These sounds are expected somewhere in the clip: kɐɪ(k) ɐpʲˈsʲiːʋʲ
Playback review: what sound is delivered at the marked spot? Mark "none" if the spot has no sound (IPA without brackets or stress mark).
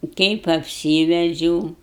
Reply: p